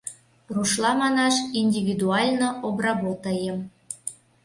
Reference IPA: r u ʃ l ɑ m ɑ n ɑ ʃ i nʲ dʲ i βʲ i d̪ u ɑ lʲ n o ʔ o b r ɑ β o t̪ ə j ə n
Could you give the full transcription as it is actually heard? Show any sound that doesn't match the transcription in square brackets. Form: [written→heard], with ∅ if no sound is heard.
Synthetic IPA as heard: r u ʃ l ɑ m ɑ n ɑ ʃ i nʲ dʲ i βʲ i d̪ u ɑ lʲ n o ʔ o b r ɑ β o t̪ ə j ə [n→m]